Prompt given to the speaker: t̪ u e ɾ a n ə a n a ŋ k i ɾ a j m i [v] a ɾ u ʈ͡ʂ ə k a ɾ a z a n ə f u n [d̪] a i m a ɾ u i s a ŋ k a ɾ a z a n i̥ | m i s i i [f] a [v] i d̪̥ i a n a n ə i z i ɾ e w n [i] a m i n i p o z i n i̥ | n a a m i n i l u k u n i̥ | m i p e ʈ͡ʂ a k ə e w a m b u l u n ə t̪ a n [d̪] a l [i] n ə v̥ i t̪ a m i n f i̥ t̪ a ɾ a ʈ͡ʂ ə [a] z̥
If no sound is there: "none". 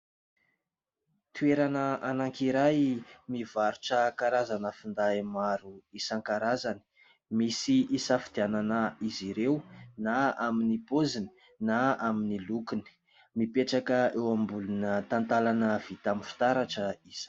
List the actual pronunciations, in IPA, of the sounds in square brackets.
v, d̪, s, f, a, t̪, a, i

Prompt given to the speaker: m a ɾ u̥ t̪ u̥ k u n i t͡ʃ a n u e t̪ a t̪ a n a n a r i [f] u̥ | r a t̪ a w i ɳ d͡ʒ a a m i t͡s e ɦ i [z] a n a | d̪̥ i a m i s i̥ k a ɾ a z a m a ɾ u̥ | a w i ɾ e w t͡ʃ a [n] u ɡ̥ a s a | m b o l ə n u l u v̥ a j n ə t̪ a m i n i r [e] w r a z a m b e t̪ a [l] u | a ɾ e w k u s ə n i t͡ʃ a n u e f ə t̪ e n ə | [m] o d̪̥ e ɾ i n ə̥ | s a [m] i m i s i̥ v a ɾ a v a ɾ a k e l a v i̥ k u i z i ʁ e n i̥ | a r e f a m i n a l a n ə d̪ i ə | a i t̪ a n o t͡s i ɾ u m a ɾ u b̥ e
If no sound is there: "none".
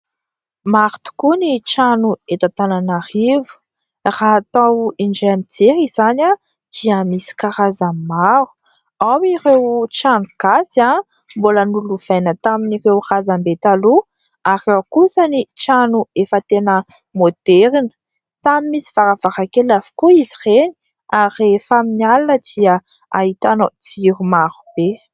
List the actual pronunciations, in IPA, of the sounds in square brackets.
v, z, n, e, l, m, m

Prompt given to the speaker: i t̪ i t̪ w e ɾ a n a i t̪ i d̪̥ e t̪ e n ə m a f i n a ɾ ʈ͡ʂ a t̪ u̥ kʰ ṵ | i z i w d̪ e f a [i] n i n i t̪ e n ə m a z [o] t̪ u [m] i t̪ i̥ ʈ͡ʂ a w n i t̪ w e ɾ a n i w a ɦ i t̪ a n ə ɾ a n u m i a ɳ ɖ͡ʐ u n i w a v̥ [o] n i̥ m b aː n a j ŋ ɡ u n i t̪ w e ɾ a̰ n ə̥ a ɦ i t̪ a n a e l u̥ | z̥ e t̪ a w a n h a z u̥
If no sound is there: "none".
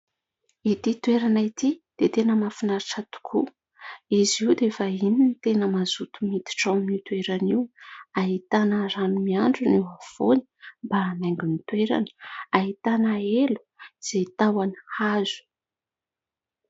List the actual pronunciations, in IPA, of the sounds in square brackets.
i, u, m, o

